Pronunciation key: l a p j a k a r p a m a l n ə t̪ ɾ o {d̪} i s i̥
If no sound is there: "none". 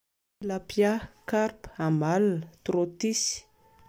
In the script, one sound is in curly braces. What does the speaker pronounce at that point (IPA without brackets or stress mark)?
t̪